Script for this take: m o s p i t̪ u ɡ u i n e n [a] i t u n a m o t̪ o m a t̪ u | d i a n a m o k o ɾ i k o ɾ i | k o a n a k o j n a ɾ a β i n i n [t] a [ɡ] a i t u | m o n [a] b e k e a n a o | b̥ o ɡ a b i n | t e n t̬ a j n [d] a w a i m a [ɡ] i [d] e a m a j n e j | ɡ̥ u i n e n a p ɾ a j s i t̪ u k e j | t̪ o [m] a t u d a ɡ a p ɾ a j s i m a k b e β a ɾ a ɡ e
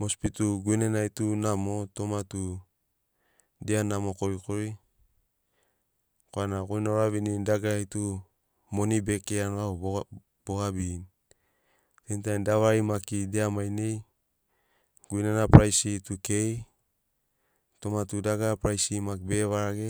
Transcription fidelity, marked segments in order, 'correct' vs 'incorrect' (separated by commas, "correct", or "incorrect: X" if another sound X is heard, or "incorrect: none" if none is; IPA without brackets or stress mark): correct, incorrect: d, correct, incorrect: i, correct, incorrect: k, correct, correct